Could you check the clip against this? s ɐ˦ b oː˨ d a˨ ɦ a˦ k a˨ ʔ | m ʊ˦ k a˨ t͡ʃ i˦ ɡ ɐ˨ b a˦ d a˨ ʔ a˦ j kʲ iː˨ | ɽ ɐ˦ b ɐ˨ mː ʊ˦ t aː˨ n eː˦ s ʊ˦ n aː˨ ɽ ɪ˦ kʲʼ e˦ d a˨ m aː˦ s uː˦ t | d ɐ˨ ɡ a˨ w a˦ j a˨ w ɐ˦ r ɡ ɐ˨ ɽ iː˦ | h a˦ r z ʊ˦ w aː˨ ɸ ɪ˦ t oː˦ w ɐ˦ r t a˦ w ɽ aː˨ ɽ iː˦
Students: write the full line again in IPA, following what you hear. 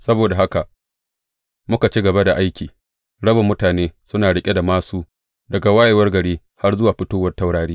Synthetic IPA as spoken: s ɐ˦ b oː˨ d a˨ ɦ a˦ k a˨ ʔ | m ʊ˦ k a˨ t͡ʃ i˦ ɡ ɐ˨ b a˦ d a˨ ʔ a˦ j kʲ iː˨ | ɽ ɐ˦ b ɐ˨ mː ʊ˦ t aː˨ n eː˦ s ʊ˦ n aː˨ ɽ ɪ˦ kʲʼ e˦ d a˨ m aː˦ s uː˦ | d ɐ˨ ɡ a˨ w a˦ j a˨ w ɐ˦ r ɡ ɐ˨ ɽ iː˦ | h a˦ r z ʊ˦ w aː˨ ɸ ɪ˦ t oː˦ w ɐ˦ r t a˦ w ɽ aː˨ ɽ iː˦